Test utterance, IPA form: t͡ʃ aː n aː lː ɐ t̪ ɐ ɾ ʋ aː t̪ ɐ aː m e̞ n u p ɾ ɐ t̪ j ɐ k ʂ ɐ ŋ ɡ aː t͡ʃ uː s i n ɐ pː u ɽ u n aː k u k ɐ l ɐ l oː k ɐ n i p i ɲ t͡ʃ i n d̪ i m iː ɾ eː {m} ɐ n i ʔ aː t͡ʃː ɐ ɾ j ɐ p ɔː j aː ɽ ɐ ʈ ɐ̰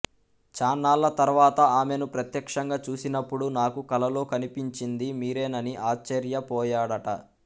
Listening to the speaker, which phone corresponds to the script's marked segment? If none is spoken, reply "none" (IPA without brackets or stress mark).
n